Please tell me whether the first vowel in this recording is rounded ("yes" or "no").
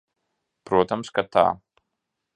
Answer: yes